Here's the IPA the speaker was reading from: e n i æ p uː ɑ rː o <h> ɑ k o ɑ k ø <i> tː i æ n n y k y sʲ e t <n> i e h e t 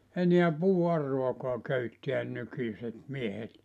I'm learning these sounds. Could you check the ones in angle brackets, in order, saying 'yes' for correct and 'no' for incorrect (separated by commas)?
no, no, no